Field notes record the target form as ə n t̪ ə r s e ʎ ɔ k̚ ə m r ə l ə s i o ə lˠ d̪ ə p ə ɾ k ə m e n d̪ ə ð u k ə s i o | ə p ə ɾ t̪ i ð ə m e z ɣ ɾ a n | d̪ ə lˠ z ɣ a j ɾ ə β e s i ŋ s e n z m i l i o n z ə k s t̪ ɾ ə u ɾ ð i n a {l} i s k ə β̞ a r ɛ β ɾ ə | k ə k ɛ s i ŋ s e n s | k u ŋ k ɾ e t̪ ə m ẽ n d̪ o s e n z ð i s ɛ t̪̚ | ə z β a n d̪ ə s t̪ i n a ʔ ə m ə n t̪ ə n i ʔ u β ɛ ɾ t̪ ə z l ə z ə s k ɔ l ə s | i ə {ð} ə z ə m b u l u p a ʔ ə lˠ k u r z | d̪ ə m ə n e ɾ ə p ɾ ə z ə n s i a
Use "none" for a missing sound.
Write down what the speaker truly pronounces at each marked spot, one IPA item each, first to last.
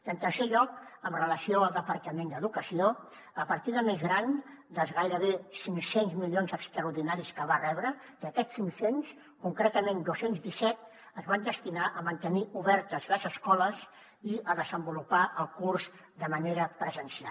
ɾ, ð

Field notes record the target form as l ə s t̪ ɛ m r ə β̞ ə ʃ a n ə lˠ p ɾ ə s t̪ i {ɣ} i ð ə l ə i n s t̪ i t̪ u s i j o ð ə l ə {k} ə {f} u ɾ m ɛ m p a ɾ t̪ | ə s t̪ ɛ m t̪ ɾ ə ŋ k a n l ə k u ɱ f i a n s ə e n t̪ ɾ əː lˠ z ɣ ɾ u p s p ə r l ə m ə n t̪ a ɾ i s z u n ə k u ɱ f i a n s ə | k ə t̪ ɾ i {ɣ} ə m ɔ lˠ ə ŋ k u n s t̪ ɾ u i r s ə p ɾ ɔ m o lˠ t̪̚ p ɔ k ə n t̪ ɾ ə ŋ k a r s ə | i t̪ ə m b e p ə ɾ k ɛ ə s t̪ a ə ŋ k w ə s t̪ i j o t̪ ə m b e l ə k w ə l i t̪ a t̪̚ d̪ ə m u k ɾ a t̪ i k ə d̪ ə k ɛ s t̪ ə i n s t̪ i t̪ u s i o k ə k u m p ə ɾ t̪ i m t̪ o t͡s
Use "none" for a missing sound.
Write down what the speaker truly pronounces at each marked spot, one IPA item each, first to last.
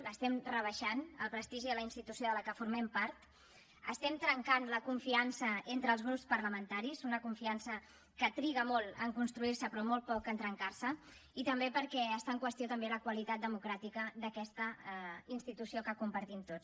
ʒ, k, f, ɣ

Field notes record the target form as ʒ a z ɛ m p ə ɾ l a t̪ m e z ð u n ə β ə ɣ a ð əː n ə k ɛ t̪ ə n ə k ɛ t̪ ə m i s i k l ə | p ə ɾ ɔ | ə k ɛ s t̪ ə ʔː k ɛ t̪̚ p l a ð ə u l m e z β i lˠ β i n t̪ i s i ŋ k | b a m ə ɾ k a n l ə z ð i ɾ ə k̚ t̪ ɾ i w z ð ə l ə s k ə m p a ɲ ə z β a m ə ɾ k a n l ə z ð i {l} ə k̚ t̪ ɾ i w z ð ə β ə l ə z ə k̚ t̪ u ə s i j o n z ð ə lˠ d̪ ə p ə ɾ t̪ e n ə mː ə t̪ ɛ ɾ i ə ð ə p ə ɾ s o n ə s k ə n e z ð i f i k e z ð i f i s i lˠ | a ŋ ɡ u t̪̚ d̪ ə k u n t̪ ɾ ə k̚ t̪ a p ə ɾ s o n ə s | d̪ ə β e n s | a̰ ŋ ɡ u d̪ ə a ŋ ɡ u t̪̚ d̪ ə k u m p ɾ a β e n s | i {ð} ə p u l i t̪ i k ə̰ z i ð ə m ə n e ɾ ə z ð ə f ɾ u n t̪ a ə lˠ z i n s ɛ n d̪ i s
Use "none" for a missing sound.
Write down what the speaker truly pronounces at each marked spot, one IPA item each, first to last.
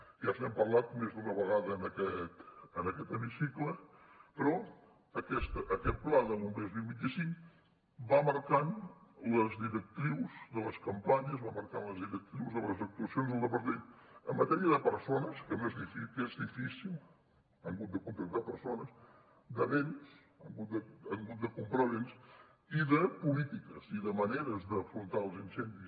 ɾ, ð

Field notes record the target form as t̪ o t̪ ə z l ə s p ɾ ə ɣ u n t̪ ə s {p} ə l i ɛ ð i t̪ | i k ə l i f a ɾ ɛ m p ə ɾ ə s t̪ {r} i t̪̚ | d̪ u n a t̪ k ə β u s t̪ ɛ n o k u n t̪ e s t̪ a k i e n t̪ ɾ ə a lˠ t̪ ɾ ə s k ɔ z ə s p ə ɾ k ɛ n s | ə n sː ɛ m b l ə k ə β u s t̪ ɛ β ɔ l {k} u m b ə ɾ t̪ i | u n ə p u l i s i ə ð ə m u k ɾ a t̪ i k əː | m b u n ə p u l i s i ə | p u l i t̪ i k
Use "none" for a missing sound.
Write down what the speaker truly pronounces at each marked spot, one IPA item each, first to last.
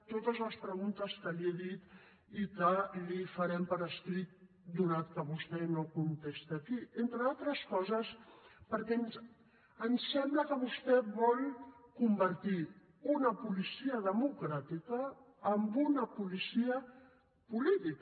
k, ɾ, k

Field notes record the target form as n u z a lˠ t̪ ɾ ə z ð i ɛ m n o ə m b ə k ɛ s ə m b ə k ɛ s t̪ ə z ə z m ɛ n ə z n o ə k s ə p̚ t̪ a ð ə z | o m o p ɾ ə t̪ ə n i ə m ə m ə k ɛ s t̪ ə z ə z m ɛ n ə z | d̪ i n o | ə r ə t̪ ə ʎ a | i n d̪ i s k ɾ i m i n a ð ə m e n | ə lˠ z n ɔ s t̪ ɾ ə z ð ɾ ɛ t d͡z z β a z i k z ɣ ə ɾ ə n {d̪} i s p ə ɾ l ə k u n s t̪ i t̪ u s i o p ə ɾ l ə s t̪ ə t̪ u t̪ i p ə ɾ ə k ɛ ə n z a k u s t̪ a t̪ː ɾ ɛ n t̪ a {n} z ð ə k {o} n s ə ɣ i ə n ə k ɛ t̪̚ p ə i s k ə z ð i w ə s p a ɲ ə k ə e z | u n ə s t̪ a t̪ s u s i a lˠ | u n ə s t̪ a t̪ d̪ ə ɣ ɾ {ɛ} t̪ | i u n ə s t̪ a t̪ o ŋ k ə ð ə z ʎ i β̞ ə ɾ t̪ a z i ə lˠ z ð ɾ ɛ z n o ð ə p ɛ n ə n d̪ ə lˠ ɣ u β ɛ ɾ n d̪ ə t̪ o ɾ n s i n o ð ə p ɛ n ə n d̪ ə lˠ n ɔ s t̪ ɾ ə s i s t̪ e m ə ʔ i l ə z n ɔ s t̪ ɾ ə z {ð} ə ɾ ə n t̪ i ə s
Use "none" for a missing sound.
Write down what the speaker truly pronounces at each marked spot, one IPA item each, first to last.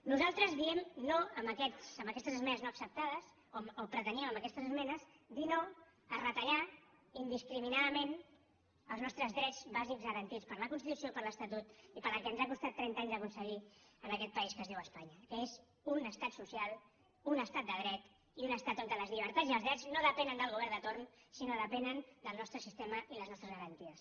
t̪, ɲ, u, ɛ, ɣ

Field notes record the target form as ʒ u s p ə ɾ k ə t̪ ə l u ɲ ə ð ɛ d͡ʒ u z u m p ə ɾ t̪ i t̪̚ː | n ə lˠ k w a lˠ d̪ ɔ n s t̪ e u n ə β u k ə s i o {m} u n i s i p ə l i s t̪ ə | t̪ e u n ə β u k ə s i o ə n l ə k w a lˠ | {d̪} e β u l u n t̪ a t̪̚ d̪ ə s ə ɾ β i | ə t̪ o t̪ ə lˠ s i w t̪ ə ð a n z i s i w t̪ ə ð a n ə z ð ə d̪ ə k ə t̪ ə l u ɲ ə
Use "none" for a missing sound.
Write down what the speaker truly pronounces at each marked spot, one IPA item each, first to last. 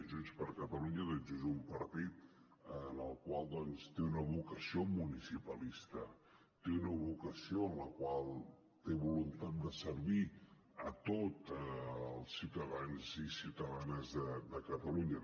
m, t̪

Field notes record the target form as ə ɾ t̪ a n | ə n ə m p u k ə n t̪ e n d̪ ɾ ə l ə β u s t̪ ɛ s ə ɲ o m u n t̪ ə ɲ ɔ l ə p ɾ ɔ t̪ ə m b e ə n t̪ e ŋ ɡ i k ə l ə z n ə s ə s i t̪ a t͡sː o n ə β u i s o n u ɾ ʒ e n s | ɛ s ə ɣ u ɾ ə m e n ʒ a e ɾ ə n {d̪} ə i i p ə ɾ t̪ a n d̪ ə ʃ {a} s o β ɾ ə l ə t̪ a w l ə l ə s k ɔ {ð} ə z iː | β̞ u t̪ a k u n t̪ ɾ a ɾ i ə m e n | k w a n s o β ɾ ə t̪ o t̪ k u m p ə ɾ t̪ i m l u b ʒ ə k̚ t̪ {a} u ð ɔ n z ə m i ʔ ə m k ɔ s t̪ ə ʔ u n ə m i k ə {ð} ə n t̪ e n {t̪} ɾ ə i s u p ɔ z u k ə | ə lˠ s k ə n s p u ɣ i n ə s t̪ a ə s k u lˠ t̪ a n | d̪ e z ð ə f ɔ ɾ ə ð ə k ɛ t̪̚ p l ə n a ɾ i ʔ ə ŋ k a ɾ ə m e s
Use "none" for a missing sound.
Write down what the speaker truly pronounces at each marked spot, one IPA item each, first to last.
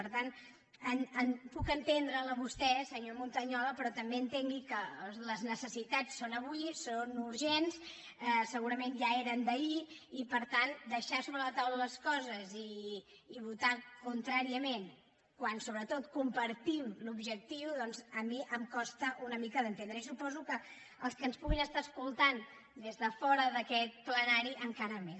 d̪, a, z, i, ð, d̪

